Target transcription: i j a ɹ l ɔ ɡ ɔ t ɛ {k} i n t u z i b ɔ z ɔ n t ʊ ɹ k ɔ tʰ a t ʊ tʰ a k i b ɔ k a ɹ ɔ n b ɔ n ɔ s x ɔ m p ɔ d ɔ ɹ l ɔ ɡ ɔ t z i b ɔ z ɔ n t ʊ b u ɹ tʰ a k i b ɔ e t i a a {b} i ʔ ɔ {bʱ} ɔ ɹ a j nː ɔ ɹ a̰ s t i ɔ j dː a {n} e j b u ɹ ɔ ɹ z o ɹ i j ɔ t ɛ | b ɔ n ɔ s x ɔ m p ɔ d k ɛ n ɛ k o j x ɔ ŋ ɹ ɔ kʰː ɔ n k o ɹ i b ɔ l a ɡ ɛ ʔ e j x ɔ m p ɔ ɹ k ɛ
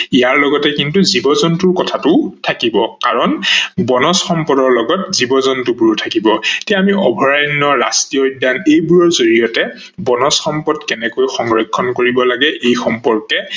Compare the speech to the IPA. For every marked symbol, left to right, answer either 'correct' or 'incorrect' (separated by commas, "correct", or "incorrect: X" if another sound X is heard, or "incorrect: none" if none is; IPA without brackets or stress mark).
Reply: correct, incorrect: m, correct, correct